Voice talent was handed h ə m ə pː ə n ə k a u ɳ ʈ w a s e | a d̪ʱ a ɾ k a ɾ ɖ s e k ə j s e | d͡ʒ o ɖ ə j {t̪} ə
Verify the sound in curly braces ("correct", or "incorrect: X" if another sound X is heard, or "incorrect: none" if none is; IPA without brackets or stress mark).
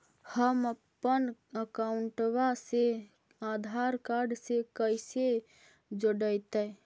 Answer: correct